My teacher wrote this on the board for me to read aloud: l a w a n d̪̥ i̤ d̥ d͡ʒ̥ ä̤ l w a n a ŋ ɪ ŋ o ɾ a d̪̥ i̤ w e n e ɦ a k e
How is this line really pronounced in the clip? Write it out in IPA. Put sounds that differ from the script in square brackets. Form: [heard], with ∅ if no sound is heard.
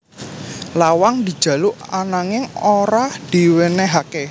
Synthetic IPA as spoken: l a w a [ŋ] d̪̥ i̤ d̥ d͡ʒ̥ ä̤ l [u] a n a ŋ ɪ ŋ o ɾ a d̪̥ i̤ w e n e ɦ a k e